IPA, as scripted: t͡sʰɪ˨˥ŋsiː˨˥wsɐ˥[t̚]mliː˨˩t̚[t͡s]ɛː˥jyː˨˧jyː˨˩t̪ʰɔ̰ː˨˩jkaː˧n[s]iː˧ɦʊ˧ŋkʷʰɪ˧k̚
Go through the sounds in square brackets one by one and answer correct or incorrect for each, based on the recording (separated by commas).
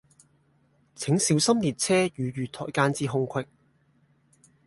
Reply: incorrect, incorrect, incorrect